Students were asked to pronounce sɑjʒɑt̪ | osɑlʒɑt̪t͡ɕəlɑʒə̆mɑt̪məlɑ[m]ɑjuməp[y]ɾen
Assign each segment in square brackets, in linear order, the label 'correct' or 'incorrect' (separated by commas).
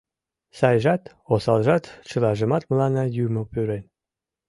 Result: incorrect, correct